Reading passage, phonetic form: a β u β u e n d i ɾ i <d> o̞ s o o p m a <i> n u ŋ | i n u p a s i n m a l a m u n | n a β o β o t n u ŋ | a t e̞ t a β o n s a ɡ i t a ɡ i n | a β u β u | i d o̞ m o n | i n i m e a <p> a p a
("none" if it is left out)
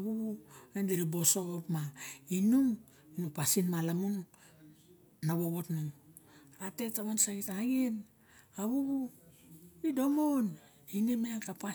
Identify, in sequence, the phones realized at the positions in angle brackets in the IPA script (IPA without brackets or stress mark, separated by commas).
b, i, k